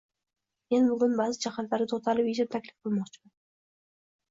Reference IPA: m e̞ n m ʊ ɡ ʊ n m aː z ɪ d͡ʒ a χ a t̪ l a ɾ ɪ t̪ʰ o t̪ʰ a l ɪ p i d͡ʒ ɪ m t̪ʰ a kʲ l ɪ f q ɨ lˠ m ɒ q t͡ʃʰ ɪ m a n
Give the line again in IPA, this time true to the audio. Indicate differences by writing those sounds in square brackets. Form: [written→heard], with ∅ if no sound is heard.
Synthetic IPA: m e̞ n [m→b] ʊ ɡ ʊ n [m→b] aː z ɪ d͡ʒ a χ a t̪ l a ɾ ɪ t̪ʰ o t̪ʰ a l ɪ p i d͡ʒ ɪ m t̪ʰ a kʲ l ɪ f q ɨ lˠ m ɒ q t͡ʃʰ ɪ m a n

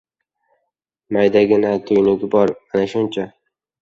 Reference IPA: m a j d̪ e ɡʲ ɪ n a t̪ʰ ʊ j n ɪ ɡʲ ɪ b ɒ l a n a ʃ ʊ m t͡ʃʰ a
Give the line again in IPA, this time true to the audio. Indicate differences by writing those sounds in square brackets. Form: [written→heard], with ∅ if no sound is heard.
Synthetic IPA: m a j d̪ [e→a] ɡʲ ɪ n a t̪ʰ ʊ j n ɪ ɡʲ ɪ b ɒ [l→ɾ] a n a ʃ ʊ [m→n] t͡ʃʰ a

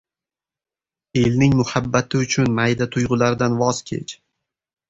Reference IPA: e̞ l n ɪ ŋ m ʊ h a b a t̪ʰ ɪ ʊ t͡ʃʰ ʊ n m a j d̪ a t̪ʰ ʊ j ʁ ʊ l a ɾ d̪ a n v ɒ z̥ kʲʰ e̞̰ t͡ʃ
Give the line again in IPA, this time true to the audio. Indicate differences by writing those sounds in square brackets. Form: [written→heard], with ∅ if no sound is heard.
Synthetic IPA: e̞ l n ɪ ŋ m ʊ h a [b→bː] a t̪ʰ ɪ ʊ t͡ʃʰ ʊ n m a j d̪ a t̪ʰ ʊ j ʁ ʊ l a ɾ d̪ a n v ɒ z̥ kʲʰ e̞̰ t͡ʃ

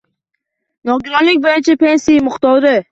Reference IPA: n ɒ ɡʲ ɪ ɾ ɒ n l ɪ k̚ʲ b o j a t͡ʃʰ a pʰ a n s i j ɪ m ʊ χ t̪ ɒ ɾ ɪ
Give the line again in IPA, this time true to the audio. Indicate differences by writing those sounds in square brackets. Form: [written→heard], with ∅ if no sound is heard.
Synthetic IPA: n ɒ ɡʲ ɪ ɾ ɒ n l ɪ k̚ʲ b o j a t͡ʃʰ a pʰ [a→e] n s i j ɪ m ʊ χ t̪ ɒ ɾ ɪ

